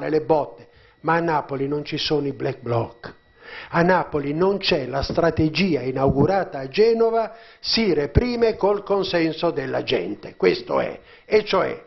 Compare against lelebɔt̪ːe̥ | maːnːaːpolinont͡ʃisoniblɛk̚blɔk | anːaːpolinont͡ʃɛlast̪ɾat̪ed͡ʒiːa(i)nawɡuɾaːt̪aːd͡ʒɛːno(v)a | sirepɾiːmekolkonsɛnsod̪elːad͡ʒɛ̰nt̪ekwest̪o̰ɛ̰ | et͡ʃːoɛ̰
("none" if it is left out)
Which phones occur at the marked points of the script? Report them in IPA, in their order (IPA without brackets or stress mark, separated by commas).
i, v